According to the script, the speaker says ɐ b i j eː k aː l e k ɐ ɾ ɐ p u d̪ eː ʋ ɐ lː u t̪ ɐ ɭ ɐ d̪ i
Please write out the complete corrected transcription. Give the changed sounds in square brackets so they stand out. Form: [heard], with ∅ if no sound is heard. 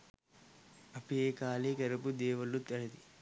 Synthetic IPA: ɐ [p] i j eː k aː l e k ɐ ɾ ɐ p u d̪ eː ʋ ɐ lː u t̪ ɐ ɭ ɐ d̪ i